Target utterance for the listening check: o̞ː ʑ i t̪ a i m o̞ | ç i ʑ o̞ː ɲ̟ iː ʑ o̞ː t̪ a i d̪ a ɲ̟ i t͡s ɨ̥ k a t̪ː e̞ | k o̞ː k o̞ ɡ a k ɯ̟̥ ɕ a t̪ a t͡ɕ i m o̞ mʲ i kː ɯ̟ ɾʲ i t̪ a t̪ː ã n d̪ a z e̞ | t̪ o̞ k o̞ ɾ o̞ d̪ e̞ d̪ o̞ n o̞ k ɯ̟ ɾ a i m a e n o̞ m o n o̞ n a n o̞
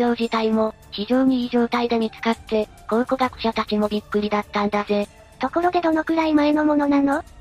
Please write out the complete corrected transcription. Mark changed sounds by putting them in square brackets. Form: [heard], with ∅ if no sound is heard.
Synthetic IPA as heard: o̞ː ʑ i t̪ a i m o̞ | ç i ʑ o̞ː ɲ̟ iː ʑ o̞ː t̪ a i d̪ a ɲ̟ i t͡s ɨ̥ k a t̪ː e̞ | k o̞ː k o̞ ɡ a k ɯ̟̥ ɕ a t̪ a t͡ɕ i m o̞ [bʲ] i kː ɯ̟ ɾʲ i [d̪] a t̪ː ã n d̪ a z e̞ | t̪ o̞ k o̞ ɾ o̞ d̪ e̞ d̪ o̞ n o̞ k ɯ̟ ɾ a i m a e n o̞ m o n o̞ n a n o̞